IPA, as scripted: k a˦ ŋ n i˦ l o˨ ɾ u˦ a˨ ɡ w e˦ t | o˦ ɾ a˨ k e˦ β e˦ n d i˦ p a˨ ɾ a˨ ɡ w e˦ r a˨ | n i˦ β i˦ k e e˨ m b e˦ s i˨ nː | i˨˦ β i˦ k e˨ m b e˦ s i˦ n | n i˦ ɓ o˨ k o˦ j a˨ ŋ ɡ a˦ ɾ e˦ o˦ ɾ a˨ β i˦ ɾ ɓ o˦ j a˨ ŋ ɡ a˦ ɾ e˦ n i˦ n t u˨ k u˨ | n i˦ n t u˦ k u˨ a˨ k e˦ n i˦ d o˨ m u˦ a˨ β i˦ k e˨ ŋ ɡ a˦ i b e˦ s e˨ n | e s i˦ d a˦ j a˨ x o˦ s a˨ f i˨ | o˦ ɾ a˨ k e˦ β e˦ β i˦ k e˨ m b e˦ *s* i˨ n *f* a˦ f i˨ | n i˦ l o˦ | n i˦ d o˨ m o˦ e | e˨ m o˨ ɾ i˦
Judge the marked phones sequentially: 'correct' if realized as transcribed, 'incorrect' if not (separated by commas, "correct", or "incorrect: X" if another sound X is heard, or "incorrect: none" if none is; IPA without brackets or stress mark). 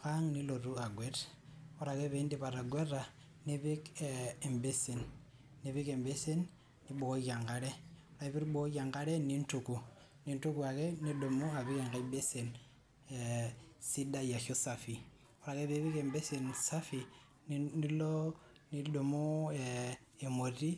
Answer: correct, incorrect: s